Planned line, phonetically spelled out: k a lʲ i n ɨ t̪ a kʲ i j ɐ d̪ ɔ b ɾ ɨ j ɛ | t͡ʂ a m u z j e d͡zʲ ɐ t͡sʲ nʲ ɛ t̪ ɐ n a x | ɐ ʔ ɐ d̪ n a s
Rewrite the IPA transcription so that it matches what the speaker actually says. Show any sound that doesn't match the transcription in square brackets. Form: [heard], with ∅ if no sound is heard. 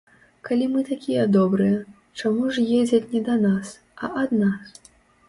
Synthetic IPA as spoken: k a lʲ i [m] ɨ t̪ a kʲ i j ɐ d̪ ɔ b ɾ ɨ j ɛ | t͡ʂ a m u [ʐ] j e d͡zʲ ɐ t͡sʲ nʲ ɛ [d̪] ɐ n a [s] | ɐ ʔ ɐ d̪ n a s

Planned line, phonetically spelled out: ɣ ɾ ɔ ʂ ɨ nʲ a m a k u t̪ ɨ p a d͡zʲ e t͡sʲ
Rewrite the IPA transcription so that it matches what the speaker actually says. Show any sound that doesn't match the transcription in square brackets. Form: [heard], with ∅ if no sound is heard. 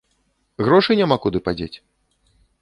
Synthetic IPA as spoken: ɣ ɾ ɔ ʂ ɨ nʲ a m a k u [d̪] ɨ p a d͡zʲ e t͡sʲ

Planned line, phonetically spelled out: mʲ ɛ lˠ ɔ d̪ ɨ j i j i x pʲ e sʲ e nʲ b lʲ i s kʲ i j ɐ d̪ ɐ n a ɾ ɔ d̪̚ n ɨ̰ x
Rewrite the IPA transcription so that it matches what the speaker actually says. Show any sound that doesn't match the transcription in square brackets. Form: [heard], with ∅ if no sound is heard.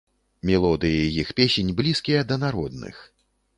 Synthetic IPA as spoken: mʲ ɛ lˠ ɔ d̪ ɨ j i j i x pʲ e sʲ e nʲ b lʲ i s kʲ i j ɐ d̪ ɐ n a ɾ ɔ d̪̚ n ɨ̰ x

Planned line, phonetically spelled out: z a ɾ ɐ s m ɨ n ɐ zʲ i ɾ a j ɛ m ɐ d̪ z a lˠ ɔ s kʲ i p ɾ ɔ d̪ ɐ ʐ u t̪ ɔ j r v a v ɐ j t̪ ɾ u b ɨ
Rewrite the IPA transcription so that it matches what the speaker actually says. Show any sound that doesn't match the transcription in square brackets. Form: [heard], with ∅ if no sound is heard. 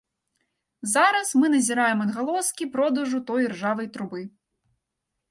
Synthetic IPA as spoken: z a ɾ ɐ s m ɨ n ɐ zʲ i ɾ a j ɛ m ɐ d̪ [ɣ] a lˠ ɔ s kʲ i p ɾ ɔ d̪ ɐ ʐ u t̪ ɔ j r [ʐ] a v ɐ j t̪ ɾ u b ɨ

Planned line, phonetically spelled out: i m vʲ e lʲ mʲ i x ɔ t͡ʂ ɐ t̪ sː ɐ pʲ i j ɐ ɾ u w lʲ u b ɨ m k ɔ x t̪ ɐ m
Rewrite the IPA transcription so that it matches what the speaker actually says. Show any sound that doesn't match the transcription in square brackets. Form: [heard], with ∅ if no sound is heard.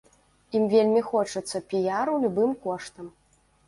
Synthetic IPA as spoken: i m vʲ e lʲ mʲ i x ɔ t͡ʂ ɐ t̪ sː ɐ pʲ i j [a] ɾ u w lʲ u b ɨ m k ɔ [ʂ] t̪ ɐ m

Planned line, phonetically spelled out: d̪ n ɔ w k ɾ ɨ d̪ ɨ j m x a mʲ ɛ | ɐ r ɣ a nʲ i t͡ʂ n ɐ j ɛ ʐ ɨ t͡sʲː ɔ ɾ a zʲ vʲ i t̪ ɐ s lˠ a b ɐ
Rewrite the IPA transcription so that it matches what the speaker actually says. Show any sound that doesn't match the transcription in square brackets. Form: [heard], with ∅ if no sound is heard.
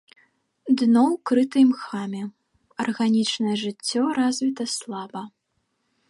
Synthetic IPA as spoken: d̪ n ɔ w k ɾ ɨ [t̪] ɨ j m x a mʲ ɛ | ɐ r ɣ a nʲ i t͡ʂ n ɐ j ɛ ʐ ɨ t͡sʲː ɔ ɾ a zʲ vʲ i t̪ ɐ s lˠ a b ɐ

